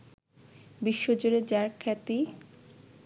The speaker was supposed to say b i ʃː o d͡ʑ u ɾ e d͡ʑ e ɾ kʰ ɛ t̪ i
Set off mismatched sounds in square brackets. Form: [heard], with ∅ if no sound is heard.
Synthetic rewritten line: b i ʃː o d͡ʑ [o] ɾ e d͡ʑ [a] ɾ kʰ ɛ t̪ i